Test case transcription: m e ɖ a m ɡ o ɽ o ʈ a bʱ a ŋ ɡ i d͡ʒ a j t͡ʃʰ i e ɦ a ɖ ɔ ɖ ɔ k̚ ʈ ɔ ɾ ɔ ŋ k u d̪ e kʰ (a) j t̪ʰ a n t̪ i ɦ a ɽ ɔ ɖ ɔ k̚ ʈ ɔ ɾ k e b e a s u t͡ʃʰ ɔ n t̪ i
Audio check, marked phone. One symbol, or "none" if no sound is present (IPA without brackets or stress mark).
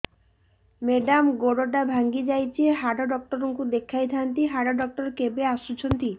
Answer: a